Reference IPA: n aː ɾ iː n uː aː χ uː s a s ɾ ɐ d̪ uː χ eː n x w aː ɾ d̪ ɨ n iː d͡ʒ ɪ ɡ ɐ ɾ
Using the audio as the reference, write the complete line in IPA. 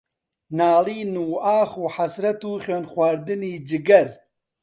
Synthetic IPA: n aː l iː n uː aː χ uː ħ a s ɾ ɐ t̪ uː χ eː n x w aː ɾ d̪ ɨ n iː d͡ʒ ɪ ɡ ɐ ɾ